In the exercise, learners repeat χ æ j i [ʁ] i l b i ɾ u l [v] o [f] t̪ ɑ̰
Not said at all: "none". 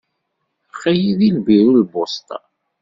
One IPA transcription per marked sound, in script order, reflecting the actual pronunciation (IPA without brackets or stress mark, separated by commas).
ð, b, s